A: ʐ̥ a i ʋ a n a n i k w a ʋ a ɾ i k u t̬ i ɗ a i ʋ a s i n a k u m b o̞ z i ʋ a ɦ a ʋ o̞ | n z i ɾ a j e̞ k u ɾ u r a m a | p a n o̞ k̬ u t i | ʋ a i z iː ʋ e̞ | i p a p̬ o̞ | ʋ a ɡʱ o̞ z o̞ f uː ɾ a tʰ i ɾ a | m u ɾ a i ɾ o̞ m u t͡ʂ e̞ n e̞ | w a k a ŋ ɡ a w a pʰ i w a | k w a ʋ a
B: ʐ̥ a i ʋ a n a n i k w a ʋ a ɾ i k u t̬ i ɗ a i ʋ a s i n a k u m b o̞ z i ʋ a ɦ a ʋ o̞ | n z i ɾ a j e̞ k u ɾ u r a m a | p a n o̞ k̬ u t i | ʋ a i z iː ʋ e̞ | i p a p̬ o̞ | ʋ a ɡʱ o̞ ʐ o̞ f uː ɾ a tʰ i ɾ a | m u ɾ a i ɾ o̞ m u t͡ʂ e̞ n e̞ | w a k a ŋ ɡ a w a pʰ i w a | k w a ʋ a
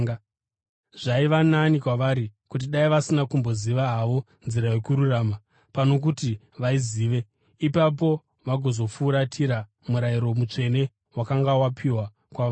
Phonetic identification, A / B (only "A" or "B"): A